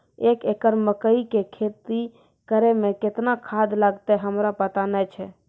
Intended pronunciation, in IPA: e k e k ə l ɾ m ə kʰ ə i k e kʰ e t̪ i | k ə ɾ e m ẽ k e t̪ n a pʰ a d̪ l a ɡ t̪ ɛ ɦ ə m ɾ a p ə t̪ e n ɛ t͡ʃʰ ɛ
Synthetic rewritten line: e k e k ə ɾ m ə k ə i k e kʰ e t̪ i | k ə ɾ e m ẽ k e t̪ n a kʰ a d̪ l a ɡ t̪ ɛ ɦ ə m ɾ a p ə t̪ a n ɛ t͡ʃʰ ɛ